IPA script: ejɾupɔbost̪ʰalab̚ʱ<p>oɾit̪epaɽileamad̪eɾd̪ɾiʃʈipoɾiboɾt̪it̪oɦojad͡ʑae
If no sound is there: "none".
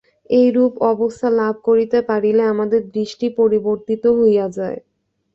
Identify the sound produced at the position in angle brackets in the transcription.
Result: k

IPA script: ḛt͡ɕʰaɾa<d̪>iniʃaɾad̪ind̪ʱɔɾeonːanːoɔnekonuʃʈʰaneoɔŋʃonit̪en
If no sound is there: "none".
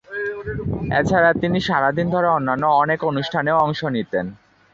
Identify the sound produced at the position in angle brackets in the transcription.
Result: t̪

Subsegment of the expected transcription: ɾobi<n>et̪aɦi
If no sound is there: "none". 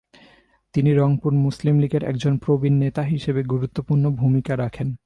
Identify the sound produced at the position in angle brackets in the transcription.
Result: nː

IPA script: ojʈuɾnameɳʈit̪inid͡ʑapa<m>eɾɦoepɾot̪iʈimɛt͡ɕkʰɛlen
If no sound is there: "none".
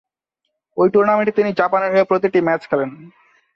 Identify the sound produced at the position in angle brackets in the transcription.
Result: n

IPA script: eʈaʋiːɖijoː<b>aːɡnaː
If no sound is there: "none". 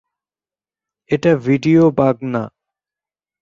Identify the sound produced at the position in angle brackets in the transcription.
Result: b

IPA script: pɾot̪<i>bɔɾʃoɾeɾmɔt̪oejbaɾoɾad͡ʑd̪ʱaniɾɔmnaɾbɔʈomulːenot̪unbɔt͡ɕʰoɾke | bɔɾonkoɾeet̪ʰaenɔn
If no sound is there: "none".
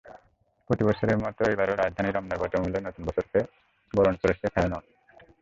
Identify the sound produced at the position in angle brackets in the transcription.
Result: i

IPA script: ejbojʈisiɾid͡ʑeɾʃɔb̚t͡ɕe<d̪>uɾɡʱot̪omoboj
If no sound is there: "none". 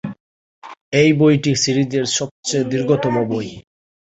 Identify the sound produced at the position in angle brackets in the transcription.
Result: d̪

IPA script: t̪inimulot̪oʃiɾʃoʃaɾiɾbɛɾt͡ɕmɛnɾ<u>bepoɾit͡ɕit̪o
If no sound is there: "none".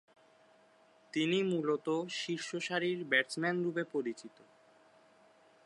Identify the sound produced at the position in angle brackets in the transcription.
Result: u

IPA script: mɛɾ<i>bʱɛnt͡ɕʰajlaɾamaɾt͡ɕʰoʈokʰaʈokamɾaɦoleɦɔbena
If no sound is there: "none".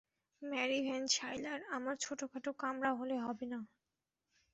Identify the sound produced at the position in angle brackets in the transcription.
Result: i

